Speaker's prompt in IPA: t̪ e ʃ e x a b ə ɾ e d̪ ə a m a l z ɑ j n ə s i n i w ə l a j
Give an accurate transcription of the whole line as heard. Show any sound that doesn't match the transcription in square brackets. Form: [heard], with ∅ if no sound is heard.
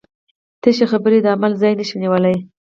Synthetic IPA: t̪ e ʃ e x a b ə ɾ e d̪ ə a m a l z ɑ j n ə [ʃ] i n i w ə l a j